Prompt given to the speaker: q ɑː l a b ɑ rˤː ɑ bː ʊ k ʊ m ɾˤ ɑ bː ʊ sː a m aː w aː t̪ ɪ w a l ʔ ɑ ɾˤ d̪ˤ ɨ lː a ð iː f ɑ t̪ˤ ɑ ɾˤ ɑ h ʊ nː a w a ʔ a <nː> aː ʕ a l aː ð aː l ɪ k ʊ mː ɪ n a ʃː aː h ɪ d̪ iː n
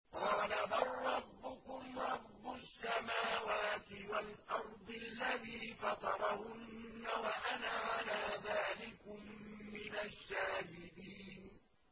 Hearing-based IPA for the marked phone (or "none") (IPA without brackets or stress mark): n